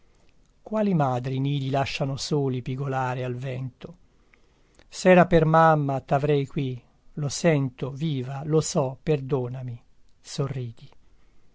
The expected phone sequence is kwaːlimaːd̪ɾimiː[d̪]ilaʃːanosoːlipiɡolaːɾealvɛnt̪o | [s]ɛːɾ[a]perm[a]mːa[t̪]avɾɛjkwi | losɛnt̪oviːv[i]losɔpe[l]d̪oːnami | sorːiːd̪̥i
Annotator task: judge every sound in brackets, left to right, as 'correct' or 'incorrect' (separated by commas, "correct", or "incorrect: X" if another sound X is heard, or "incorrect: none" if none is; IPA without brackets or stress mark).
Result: correct, correct, correct, correct, correct, incorrect: a, incorrect: r